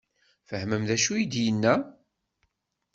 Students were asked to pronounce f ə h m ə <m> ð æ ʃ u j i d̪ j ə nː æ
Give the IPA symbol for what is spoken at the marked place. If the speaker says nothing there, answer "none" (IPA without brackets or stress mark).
m